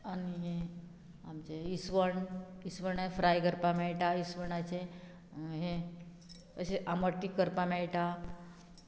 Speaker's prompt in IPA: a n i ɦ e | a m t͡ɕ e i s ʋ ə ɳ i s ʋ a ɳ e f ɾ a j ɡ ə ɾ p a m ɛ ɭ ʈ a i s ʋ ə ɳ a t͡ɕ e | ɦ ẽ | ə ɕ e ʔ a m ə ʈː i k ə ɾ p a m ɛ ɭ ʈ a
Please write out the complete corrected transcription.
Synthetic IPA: a n i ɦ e | a m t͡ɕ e i s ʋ ə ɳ i s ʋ ə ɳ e f ɾ a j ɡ ə ɾ p a m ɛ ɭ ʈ a i s ʋ ə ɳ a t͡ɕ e | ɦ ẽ | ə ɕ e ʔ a m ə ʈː i k ə ɾ p a m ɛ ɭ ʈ a